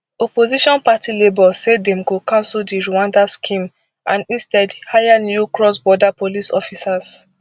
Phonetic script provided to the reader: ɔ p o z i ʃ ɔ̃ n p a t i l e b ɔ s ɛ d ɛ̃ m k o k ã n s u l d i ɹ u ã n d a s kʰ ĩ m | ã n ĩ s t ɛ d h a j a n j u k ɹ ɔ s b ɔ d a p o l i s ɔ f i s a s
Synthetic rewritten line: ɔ p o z i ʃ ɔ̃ n p a t i l e b ɔ s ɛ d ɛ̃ m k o k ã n s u l d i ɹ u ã n d a s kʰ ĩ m | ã n ĩ s t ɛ d h a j a n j u k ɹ ɔ s b ɔ d a p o l i s ɔ f i s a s